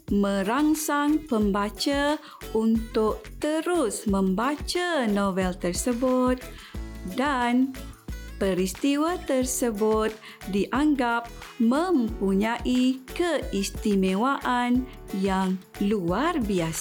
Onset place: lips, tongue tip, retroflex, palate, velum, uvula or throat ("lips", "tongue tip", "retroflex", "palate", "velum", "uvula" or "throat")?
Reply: lips